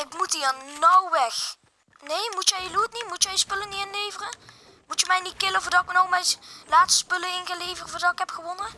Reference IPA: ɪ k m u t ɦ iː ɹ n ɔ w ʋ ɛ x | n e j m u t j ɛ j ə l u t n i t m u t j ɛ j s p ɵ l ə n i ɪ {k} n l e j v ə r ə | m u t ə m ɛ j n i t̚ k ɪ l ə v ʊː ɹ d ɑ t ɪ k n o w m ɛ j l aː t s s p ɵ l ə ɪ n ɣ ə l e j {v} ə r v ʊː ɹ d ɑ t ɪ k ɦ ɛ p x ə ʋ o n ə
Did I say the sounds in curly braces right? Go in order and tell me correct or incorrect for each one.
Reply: incorrect: none, correct

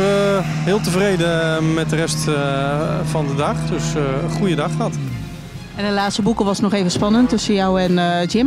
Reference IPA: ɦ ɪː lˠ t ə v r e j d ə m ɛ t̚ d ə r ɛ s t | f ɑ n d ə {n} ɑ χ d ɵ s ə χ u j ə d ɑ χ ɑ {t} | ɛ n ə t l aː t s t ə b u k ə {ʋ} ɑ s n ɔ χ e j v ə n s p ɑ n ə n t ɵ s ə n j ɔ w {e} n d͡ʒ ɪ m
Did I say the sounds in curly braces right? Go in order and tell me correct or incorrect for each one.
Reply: incorrect: d, correct, correct, incorrect: ɛ

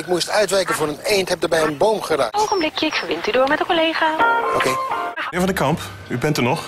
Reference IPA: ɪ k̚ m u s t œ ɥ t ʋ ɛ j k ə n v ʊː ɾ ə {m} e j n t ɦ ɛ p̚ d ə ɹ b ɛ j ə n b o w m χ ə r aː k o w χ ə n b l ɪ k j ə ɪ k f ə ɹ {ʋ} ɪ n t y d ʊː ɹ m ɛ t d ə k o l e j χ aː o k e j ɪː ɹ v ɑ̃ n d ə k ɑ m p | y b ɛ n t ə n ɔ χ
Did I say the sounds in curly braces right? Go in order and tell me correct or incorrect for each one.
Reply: incorrect: n, correct

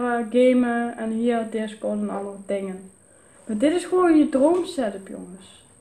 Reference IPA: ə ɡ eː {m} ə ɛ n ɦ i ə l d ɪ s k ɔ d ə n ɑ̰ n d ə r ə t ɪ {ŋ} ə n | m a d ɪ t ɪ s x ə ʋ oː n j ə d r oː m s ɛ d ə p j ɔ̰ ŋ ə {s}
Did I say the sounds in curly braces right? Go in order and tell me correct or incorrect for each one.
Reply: correct, correct, correct

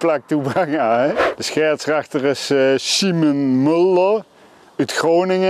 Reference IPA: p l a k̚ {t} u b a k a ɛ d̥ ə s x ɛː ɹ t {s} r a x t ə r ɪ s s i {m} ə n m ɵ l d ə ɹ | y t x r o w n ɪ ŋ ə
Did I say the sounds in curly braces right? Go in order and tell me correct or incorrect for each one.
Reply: correct, correct, correct

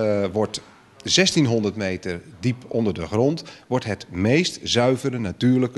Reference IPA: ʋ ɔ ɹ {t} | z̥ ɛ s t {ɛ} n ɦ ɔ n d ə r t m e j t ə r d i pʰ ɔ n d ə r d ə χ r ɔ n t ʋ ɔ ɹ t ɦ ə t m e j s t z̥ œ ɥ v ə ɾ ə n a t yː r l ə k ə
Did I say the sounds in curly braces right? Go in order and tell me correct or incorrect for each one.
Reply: correct, incorrect: i

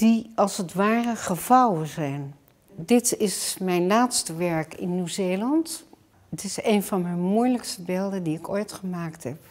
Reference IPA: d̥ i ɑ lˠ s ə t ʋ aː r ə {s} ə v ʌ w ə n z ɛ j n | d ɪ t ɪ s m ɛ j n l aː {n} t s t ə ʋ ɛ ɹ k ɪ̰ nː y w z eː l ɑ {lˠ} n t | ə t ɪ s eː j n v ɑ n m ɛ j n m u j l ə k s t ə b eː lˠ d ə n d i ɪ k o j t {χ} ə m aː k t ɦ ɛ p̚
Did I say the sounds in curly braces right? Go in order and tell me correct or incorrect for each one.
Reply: incorrect: χ, incorrect: none, incorrect: none, correct

